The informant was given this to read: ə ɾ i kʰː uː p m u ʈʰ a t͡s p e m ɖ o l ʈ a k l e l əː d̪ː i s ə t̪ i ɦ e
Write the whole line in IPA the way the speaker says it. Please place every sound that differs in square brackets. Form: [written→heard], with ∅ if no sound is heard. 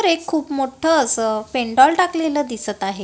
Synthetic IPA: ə ɾ [i→e] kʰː uː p m [u→o] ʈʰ [a→ə] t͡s p e [m→ɳ] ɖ [o→ɔ] l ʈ a k l e l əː [d̪ː→d̪] i s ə t̪ [i→a] ɦ e